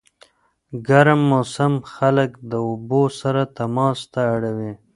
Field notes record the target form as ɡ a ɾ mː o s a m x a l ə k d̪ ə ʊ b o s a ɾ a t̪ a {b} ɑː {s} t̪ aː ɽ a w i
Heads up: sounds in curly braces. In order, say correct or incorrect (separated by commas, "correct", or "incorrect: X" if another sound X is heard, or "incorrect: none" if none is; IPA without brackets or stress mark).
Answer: incorrect: m, correct